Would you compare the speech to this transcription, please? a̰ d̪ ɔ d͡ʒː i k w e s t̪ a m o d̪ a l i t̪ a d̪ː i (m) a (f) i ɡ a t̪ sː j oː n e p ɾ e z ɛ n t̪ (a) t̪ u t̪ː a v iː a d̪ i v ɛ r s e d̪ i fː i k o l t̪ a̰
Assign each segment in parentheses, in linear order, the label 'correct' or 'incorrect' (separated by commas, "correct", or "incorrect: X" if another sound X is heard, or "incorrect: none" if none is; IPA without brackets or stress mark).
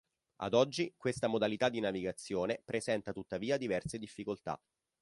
incorrect: n, incorrect: v, correct